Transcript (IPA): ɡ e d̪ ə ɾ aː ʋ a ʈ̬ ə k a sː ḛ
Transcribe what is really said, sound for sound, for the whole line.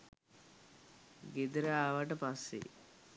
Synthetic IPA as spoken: ɡ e d̪ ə ɾ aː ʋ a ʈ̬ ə p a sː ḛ